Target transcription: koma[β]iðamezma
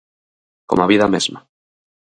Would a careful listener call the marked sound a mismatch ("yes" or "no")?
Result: no